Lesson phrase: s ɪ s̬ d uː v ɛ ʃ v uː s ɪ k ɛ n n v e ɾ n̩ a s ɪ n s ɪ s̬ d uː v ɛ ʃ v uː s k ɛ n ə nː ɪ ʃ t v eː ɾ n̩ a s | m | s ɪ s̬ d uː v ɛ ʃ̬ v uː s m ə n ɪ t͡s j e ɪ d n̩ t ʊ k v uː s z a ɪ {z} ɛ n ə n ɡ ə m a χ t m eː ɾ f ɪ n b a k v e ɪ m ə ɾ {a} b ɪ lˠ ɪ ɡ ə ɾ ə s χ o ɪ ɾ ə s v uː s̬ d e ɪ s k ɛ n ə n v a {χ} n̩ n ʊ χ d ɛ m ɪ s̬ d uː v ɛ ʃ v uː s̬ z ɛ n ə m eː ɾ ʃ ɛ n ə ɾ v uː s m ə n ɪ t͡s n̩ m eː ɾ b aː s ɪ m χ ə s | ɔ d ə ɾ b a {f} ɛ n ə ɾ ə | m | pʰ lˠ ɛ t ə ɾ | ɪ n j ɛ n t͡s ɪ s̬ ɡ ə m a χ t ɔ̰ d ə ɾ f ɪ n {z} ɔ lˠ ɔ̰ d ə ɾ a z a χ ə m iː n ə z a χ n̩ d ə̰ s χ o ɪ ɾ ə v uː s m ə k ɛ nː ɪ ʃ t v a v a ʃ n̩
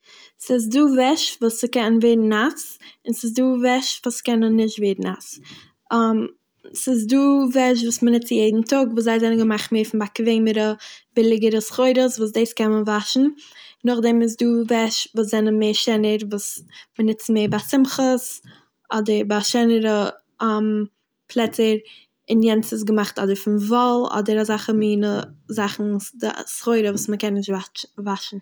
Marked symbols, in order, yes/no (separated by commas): yes, no, no, no, no